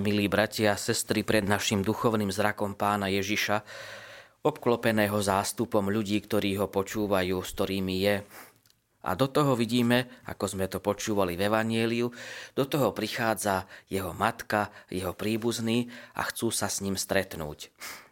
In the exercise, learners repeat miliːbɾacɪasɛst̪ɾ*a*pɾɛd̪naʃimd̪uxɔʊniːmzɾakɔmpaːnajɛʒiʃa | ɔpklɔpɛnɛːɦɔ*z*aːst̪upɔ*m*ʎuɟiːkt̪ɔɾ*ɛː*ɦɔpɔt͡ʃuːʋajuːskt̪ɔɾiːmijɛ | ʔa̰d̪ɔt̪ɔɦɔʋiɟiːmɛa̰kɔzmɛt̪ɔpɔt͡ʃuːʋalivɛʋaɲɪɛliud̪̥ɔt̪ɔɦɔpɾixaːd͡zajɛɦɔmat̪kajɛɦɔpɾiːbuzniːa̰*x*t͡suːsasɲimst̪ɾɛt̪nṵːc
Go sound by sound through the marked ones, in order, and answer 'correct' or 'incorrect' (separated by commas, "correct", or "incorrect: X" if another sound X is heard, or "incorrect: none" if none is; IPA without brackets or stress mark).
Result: incorrect: i, correct, correct, incorrect: iː, correct